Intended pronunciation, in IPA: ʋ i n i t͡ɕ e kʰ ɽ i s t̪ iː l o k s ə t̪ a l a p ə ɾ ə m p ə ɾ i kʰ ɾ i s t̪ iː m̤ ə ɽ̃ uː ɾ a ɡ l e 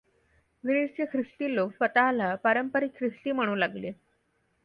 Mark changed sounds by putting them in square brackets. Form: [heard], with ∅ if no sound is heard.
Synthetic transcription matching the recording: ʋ i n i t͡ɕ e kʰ [ɾ] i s t̪ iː l o k s ə t̪ a l a p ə ɾ ə m p ə ɾ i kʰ ɾ i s t̪ iː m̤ ə ɽ̃ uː [l] a ɡ l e